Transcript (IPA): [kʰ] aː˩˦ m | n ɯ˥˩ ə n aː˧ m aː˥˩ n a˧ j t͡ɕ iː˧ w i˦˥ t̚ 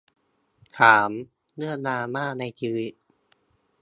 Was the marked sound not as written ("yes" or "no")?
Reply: no